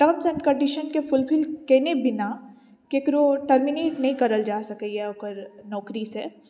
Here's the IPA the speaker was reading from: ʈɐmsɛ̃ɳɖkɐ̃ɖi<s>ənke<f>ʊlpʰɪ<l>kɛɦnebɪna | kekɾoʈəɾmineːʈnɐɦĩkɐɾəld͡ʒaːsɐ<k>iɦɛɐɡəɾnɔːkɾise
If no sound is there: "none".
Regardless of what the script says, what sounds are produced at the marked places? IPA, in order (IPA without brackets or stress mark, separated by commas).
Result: ʃ, f, l, k